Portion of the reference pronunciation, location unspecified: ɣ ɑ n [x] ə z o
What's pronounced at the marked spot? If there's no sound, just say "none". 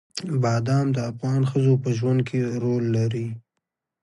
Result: x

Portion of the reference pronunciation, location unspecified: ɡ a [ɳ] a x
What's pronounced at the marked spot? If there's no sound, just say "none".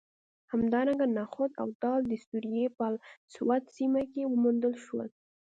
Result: n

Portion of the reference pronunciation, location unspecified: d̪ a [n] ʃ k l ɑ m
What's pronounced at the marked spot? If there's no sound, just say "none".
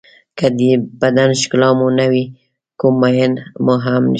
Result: n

